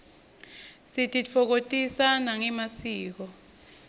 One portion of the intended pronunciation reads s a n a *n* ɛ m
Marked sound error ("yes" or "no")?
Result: yes